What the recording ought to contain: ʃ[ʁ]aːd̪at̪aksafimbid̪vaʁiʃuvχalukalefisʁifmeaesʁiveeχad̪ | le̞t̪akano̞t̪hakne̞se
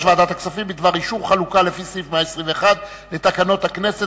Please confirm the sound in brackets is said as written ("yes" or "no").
no